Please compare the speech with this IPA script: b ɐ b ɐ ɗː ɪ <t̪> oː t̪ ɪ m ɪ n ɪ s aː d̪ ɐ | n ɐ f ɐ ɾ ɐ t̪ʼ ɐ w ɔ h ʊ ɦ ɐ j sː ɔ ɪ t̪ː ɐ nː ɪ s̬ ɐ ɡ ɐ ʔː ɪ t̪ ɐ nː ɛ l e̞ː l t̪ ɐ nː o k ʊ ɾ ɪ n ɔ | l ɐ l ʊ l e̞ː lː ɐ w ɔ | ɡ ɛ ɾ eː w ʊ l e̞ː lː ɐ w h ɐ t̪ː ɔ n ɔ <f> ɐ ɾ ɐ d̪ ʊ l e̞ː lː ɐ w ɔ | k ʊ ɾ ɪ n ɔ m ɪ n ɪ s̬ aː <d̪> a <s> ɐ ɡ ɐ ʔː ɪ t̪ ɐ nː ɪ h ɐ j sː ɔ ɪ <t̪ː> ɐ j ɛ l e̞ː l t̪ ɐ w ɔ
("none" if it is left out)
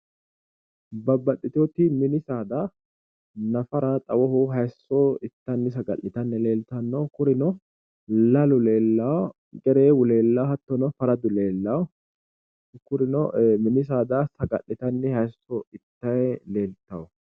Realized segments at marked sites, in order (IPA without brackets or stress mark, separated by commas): t̪, f, d̪, s, t̪ː